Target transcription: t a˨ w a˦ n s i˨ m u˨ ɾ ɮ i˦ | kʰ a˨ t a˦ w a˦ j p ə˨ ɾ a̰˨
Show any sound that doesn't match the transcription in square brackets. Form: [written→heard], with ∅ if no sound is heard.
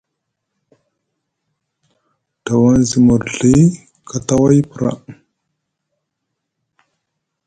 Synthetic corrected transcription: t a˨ w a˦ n [s→z] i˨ m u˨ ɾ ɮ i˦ | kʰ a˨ t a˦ w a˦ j p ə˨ ɾ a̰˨